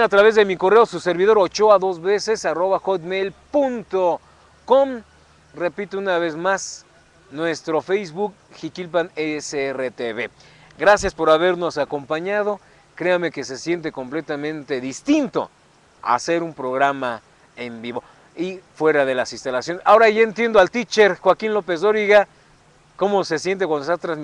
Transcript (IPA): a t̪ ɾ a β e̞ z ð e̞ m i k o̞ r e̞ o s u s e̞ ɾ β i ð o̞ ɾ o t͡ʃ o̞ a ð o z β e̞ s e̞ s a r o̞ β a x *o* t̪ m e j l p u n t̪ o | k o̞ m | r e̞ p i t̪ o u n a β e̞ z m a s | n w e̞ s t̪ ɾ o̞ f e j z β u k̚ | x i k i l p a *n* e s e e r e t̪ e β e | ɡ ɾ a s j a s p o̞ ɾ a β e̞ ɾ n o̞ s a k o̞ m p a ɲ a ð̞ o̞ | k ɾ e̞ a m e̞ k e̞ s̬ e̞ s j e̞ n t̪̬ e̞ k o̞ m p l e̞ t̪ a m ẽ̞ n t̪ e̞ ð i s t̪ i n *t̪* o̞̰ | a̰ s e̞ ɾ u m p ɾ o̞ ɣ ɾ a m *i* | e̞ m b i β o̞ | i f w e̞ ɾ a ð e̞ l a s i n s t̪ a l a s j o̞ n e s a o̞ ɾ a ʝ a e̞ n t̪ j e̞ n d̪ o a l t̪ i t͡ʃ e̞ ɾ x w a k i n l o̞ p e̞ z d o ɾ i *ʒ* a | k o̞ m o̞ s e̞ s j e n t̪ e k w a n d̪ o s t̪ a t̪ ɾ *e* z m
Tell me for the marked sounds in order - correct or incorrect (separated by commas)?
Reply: correct, correct, correct, incorrect, incorrect, incorrect